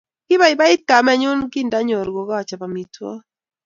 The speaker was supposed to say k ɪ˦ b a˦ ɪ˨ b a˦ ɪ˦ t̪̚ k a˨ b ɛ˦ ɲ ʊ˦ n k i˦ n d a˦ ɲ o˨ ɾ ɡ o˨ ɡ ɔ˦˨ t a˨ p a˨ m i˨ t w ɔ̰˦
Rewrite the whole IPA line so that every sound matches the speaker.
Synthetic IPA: k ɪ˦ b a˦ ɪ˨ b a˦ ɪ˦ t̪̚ k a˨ m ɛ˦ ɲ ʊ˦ n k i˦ n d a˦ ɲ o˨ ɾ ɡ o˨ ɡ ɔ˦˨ t͡ʃ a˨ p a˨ m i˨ t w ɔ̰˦